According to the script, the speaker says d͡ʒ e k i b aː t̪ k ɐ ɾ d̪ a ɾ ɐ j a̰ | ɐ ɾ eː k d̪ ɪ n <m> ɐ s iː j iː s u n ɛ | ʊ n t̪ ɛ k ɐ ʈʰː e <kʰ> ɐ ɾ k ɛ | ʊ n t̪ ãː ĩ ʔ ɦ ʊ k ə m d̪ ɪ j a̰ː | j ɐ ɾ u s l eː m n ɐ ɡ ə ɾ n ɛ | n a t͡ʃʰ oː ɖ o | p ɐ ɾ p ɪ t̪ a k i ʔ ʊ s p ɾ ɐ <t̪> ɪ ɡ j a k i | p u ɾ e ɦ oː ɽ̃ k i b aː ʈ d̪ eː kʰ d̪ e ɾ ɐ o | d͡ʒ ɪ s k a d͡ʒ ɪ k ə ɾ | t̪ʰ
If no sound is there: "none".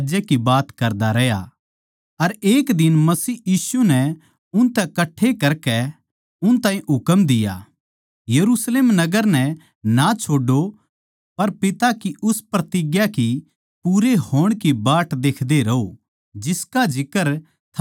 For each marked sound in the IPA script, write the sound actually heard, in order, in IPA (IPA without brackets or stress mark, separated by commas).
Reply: m, k, t̪